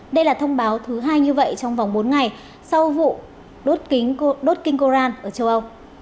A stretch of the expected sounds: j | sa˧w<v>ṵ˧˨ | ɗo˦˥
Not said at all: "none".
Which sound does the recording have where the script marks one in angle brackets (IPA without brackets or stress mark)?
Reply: v